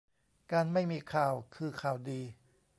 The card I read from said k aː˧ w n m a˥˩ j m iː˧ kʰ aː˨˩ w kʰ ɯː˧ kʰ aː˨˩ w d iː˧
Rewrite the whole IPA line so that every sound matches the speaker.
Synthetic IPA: k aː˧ n m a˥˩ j m iː˧ kʰ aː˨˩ w kʰ ɯː˧ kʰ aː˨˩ w d iː˧